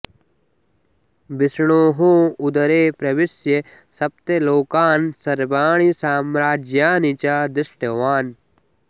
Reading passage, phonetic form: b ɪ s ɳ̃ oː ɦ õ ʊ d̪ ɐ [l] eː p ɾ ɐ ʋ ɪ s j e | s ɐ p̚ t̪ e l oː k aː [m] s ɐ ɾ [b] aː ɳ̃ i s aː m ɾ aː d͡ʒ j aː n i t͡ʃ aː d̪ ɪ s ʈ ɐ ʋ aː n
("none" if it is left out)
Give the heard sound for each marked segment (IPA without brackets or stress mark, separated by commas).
ɾ, n, b